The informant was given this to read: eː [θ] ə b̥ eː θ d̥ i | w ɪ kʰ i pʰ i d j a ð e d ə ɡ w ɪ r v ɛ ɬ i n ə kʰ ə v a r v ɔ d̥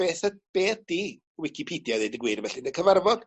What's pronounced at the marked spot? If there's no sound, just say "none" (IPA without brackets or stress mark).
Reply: θ